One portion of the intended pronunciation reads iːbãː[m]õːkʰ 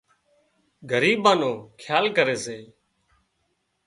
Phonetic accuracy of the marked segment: incorrect: n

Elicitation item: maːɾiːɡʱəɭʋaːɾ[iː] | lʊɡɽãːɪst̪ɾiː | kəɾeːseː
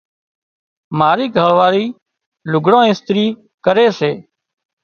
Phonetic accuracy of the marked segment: correct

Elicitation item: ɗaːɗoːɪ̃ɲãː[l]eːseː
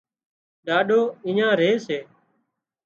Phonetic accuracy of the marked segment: incorrect: ɾ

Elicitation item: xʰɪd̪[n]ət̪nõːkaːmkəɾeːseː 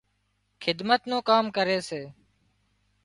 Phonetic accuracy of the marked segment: incorrect: m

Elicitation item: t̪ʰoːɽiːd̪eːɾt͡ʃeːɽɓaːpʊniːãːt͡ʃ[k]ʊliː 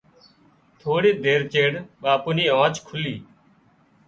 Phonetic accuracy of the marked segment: incorrect: kʰ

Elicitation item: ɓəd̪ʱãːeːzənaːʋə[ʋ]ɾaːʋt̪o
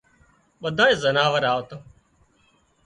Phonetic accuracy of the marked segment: incorrect: none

